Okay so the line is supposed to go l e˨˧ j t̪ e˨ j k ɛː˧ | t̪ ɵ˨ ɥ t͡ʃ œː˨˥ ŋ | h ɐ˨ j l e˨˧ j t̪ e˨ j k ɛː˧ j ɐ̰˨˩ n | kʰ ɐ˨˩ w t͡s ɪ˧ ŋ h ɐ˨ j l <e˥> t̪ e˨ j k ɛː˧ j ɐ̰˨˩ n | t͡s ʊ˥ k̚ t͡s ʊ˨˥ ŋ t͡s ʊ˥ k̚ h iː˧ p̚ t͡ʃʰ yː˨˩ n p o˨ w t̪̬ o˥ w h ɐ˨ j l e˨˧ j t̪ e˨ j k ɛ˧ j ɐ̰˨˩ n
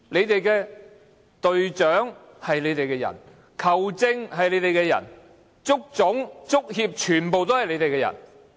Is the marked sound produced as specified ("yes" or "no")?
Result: no